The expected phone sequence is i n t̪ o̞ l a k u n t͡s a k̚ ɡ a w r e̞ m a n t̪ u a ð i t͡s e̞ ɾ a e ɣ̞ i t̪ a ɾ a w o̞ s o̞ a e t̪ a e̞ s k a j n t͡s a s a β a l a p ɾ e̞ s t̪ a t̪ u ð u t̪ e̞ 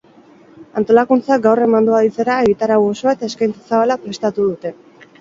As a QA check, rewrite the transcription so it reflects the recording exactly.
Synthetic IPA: a n t̪ o̞ l a k u n t͡s a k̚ ɡ a w r e̞ m a n d̪ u a ð i t͡s e̞ ɾ a e ɣ̞ i t̪ a ɾ a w o̞ s o̞ a e t̪ a e̞ s k a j n t͡s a s a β a l a p ɾ e̞ s t̪ a t̪ u ð u t̪ e̞